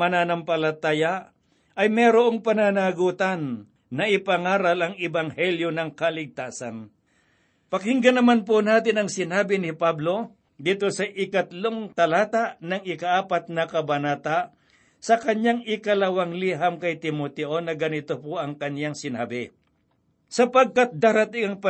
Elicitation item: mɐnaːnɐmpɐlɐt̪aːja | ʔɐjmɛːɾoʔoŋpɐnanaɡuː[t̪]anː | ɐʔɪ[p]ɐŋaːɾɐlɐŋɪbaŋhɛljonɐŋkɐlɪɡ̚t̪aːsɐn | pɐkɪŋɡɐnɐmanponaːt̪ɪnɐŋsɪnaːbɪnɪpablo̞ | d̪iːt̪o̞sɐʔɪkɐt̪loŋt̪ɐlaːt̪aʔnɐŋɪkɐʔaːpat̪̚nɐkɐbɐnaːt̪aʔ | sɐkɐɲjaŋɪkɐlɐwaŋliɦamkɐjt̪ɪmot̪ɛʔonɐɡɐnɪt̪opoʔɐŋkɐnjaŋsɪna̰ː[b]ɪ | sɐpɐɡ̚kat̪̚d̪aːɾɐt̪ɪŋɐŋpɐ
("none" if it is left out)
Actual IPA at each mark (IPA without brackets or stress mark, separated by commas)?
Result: t̪, p, b